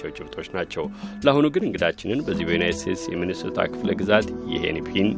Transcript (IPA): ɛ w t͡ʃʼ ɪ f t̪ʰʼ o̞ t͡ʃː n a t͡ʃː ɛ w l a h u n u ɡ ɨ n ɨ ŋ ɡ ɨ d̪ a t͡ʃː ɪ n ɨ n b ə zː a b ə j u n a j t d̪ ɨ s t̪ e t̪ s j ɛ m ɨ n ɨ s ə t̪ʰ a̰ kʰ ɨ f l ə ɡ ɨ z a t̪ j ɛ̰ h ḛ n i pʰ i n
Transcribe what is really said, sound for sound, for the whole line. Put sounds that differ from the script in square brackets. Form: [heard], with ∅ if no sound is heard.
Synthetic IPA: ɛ w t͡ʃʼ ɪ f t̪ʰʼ o̞ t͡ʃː n a t͡ʃː ɛ w l a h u n u ɡ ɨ n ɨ ŋ ɡ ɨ d̪ a t͡ʃː ɪ n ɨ n b ə zː [i] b ə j u n a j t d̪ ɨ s t̪ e t̪ s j ɛ m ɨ n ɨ s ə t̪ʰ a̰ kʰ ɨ f l ə ɡ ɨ z a t̪ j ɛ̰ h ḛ n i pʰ i n